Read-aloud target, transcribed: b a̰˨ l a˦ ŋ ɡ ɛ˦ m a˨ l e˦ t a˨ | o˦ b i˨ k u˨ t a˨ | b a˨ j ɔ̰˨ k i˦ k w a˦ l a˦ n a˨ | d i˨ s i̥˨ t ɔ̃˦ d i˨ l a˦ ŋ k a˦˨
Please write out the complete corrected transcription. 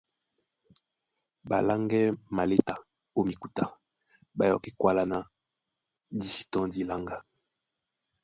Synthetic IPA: b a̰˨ l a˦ ŋ ɡ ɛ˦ m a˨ l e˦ t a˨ | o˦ m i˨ k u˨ t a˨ | b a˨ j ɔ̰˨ k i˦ k w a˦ l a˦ n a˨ | d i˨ s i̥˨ t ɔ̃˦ d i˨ l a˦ ŋ ɡ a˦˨